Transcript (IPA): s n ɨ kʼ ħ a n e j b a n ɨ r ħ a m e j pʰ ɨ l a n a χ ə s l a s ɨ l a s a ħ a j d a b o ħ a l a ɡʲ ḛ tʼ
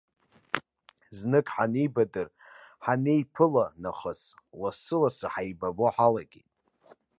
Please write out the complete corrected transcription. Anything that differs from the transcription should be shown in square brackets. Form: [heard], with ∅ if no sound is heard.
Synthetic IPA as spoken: [z] n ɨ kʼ ħ a n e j b a [d] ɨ r ħ a [n] e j pʰ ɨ l a n a χ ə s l a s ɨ l a s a ħ a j [b] a b o ħ a l a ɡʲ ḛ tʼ